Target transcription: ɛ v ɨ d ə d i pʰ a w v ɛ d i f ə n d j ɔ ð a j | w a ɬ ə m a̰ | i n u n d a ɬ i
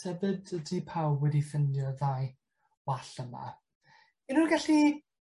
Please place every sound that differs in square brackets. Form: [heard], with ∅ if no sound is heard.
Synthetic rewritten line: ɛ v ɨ d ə d i pʰ a w [w] ɛ d i f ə n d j ɔ ð a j | w a ɬ ə m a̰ | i n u n [ɡ] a ɬ i